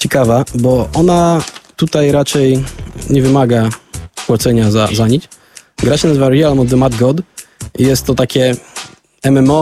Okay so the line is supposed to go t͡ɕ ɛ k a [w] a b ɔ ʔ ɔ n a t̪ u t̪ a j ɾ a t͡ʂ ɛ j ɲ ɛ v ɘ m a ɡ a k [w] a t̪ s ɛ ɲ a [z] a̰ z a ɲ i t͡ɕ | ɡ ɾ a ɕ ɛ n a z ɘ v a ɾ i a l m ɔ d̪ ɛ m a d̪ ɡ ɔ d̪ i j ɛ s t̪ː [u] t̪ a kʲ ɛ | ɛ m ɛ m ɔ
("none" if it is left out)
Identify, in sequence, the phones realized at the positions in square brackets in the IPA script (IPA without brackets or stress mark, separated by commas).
v, w, z, ɔ